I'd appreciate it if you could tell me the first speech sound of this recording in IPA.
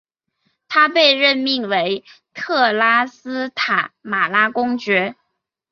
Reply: t̪ʰ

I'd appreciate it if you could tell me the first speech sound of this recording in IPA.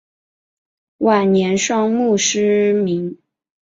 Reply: w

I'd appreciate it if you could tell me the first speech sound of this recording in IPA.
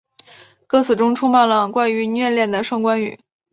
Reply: k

